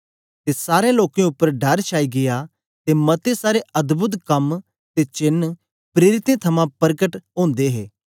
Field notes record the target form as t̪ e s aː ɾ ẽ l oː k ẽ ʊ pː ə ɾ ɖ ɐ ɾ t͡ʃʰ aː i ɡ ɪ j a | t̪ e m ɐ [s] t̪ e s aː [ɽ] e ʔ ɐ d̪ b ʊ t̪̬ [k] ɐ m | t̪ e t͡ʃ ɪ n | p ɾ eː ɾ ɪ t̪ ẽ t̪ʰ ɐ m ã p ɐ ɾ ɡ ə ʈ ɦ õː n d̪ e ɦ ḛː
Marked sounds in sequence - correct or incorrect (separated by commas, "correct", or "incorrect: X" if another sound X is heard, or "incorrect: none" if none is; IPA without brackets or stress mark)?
incorrect: none, incorrect: ɾ, correct